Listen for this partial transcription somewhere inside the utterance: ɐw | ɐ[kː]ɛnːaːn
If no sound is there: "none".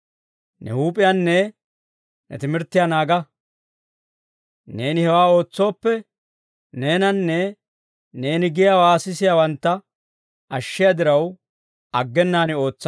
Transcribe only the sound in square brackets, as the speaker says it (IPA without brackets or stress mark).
ɡː